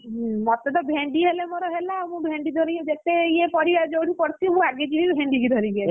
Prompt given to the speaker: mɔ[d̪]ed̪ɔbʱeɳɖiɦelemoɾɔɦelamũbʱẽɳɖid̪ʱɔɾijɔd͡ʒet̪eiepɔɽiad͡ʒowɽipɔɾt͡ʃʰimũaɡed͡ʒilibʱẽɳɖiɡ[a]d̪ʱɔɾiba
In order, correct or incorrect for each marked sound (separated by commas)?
incorrect, incorrect